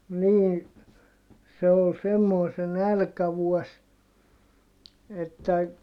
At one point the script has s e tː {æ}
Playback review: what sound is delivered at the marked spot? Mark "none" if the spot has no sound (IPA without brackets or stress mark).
æ